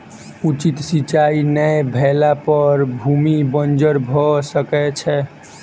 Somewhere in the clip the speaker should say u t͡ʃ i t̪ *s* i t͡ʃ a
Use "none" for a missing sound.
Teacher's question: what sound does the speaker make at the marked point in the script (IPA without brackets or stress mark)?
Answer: s